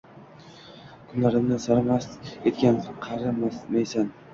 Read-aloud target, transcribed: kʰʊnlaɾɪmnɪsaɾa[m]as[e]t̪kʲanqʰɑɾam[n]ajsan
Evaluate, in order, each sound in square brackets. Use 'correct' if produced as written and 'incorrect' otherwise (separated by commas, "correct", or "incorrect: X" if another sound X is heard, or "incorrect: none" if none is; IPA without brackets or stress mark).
correct, correct, incorrect: m